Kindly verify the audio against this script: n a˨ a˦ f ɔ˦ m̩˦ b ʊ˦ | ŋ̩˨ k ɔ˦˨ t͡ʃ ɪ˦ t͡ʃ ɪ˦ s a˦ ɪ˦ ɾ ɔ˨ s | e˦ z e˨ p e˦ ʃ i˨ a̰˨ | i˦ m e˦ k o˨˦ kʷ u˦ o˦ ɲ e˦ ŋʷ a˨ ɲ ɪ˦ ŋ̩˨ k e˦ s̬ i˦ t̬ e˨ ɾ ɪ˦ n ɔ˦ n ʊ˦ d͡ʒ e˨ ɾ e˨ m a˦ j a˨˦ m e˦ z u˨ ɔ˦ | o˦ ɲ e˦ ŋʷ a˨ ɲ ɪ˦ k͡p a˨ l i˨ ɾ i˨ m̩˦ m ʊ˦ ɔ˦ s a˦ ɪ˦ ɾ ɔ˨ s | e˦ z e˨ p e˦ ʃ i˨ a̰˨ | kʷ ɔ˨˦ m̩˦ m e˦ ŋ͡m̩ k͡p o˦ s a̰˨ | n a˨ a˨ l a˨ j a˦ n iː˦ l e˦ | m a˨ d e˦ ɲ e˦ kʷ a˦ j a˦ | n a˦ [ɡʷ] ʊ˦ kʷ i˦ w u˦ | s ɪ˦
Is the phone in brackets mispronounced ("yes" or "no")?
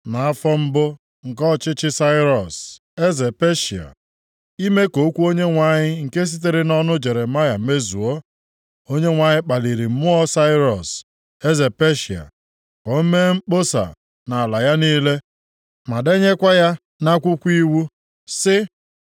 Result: yes